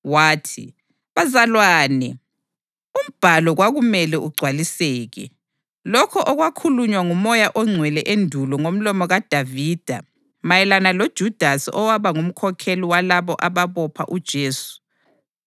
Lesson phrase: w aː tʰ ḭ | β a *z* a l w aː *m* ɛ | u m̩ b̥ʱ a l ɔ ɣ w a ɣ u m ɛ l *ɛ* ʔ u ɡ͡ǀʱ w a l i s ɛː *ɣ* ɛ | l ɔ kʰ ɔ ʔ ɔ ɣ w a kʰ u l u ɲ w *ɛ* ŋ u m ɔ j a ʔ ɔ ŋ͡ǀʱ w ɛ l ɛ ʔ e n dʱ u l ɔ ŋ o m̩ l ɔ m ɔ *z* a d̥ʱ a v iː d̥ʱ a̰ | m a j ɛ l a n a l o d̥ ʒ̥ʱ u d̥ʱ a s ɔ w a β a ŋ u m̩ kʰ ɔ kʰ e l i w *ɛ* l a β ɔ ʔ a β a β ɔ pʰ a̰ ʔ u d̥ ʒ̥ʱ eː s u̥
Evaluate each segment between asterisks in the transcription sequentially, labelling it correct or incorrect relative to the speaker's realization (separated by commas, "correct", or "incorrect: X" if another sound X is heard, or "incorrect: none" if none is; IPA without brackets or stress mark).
correct, incorrect: n, correct, correct, incorrect: a, incorrect: ɣ, incorrect: a